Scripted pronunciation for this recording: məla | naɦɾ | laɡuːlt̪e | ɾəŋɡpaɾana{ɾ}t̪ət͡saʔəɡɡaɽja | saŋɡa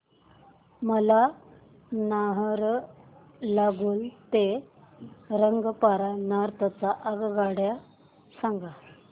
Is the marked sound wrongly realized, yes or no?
no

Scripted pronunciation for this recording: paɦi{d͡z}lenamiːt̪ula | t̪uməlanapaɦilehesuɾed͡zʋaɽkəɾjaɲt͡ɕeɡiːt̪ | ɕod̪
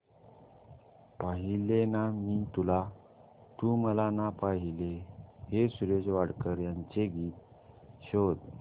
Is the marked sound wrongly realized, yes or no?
yes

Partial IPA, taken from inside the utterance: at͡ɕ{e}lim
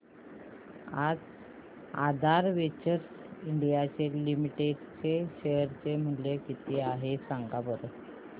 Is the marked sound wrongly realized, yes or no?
no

